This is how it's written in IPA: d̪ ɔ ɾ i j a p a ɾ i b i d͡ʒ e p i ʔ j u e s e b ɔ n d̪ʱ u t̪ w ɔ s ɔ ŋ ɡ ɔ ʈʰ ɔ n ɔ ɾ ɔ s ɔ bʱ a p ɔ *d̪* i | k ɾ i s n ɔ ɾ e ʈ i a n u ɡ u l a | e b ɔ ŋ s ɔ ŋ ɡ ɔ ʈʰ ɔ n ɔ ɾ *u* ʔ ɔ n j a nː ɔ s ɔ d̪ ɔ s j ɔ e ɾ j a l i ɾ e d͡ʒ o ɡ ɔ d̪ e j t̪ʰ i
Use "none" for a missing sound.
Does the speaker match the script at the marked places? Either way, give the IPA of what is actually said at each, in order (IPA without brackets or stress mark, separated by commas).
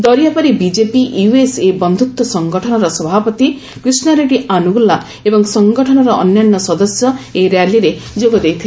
t̪, ɔ